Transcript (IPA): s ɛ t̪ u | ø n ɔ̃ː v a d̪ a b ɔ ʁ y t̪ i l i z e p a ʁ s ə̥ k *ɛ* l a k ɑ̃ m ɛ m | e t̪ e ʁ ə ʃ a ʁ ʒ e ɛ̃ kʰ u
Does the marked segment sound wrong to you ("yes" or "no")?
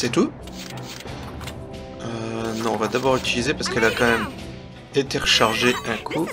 no